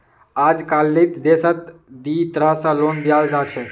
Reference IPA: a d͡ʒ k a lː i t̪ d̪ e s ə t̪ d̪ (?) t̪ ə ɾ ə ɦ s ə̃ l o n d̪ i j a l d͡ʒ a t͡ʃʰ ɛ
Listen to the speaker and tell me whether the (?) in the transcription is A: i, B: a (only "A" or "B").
A